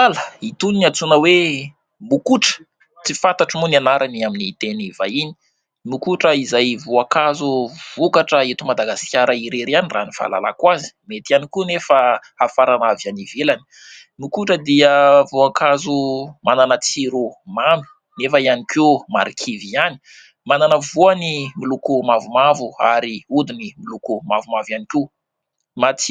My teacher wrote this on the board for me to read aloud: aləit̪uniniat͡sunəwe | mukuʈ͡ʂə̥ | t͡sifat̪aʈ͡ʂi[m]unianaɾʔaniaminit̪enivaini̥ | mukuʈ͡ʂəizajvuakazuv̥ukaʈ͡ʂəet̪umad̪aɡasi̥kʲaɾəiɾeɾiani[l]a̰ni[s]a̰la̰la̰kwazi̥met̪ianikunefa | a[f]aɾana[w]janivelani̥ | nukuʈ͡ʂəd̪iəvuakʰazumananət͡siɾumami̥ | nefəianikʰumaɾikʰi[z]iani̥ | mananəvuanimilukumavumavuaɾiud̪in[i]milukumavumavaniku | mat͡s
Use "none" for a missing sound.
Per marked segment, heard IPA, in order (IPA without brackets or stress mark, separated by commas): m, r, f, f, v, v, i